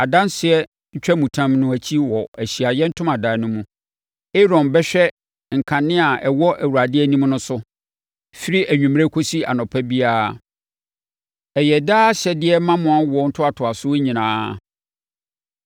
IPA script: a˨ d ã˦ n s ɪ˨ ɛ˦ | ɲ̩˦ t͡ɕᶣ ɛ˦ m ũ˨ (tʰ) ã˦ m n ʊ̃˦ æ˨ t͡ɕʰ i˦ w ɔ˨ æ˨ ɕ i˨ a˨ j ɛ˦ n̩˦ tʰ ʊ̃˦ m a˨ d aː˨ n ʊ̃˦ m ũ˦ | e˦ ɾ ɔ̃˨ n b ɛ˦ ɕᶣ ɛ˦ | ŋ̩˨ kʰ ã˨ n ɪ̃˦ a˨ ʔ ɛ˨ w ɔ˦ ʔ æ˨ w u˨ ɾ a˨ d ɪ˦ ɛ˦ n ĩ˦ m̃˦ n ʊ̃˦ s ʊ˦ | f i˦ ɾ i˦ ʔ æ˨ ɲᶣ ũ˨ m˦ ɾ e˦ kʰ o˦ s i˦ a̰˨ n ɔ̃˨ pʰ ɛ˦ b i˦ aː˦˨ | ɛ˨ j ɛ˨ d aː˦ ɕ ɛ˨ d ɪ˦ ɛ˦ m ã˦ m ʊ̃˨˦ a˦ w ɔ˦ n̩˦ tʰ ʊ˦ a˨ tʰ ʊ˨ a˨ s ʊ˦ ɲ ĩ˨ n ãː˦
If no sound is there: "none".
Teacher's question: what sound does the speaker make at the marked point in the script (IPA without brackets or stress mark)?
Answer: tʰ